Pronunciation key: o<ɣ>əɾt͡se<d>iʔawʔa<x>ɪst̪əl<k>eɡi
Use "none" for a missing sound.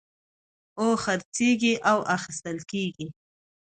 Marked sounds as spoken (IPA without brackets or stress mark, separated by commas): x, ɡ, x, k